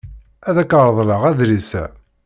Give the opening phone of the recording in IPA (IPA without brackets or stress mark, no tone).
æ